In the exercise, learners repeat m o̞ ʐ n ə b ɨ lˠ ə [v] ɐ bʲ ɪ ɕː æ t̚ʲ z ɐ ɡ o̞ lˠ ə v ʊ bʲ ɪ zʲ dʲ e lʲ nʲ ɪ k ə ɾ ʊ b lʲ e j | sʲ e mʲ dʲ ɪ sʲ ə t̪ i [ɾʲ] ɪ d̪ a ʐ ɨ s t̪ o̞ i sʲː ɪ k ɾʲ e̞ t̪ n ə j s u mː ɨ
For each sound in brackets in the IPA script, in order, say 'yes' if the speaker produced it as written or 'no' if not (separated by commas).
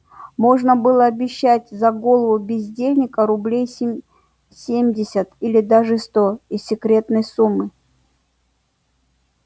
no, no